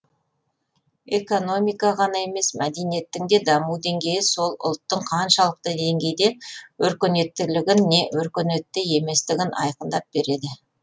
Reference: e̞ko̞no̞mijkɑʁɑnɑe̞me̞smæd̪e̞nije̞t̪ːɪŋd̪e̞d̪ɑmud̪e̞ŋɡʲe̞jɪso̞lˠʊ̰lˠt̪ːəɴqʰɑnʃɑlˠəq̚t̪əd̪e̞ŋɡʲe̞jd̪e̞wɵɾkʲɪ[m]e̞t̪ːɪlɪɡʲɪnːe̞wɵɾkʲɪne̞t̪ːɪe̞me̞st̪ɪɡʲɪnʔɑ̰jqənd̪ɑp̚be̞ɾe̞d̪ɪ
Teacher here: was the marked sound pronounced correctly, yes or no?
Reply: no